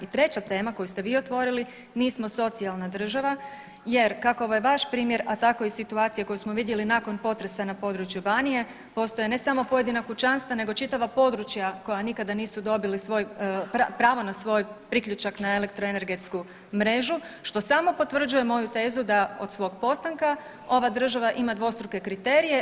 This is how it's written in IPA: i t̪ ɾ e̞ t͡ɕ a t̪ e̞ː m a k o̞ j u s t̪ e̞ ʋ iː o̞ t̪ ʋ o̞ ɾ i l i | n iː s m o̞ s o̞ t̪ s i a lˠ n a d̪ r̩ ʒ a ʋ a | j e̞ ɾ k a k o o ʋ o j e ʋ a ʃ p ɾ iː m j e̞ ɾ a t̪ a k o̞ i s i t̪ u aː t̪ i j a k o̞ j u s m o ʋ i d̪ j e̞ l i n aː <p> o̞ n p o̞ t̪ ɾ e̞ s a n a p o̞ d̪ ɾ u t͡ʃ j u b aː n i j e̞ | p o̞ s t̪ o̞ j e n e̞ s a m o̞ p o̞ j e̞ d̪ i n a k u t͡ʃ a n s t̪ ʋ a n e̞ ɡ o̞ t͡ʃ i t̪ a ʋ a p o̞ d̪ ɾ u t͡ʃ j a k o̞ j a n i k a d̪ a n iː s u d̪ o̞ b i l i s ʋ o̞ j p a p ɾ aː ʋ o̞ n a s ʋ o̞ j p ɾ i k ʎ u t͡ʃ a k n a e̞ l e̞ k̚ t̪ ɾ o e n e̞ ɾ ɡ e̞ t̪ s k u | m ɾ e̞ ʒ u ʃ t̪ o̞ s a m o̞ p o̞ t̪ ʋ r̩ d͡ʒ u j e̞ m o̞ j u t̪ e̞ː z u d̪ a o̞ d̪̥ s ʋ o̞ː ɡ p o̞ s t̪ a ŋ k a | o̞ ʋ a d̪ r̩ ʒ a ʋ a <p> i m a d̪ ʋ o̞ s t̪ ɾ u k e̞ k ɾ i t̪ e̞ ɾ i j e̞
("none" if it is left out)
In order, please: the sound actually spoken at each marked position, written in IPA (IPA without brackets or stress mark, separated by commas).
k, ʔ